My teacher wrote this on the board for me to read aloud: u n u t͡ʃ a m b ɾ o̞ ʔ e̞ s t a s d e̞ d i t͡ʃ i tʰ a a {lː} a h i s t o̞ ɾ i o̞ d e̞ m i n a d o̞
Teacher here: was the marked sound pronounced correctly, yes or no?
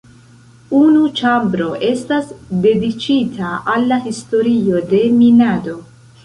yes